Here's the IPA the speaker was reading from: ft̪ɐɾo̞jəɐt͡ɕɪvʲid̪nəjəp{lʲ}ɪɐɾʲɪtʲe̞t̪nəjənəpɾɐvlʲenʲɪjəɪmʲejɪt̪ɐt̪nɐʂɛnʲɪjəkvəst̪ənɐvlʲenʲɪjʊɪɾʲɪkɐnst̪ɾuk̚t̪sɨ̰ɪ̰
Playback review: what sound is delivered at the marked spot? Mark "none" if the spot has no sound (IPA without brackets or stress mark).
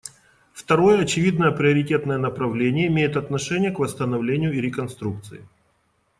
ɾʲ